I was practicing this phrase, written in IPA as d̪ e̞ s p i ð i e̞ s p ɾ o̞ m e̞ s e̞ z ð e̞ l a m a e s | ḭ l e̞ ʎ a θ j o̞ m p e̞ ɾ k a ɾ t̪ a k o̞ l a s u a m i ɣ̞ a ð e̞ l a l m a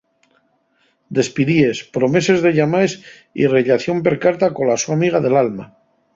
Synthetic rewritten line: d̪ e̞ s p i ð i e̞ s p ɾ o̞ m e̞ s e̞ z ð e̞ ʎ a m a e s | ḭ r e̞ ʎ a θ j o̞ m p e̞ ɾ k a ɾ t̪ a k o̞ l a s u a m i ɣ̞ a ð e̞ l a l m a